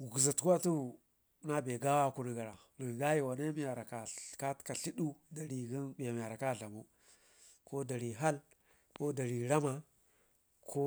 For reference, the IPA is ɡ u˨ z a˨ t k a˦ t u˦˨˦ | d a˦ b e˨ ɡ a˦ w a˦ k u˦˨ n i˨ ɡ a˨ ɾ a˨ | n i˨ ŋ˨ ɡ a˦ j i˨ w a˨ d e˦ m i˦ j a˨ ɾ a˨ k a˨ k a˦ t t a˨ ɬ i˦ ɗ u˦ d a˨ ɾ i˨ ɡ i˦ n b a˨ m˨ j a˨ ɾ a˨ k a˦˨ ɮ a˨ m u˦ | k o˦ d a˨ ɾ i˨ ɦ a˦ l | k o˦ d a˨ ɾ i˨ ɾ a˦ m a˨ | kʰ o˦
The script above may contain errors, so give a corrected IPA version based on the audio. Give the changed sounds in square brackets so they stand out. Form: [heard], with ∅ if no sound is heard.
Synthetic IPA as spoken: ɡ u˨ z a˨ t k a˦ t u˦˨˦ | [n] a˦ b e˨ ɡ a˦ w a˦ k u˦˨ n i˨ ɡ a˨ ɾ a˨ | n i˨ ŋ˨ ɡ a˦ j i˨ w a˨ [n] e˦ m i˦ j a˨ ɾ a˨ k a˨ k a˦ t [k] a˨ ɬ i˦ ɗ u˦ d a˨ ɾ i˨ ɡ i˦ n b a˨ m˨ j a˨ ɾ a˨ k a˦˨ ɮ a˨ m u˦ | k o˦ d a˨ ɾ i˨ ɦ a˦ l | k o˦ d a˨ ɾ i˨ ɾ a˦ m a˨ | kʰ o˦

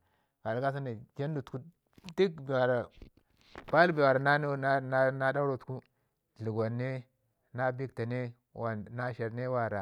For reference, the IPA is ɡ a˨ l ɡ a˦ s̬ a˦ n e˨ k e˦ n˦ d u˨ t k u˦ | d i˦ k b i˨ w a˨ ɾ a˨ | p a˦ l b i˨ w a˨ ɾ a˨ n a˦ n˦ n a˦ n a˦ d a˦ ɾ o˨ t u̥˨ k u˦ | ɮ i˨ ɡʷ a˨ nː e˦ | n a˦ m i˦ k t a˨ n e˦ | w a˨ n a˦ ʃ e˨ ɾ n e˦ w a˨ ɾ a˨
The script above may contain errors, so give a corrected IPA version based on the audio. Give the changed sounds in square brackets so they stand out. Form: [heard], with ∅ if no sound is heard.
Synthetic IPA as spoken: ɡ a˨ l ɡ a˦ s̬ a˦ n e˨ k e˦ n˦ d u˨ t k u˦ | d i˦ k b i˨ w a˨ ɾ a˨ | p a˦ l b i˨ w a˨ ɾ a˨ n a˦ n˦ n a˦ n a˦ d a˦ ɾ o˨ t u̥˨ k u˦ | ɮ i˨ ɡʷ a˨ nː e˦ | n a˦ [b] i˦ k t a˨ n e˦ | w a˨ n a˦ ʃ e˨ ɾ n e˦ w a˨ ɾ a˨

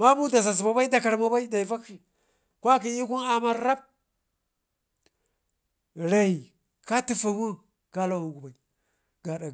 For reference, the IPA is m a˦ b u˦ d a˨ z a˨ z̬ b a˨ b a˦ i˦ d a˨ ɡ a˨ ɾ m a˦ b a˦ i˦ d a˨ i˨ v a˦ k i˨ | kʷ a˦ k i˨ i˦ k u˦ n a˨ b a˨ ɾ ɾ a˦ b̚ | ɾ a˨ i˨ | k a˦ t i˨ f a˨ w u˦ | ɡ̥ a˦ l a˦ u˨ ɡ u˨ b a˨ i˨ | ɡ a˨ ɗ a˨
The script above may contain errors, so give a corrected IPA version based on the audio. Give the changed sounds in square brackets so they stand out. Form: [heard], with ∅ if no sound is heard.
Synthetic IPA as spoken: m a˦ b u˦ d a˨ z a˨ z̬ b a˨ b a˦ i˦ d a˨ [k] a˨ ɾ m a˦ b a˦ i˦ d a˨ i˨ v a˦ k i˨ | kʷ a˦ k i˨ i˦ k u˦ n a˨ [m] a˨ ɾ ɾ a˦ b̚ | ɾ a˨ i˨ | k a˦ t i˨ f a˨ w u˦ | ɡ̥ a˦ l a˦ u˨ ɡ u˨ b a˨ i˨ | ɡ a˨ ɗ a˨

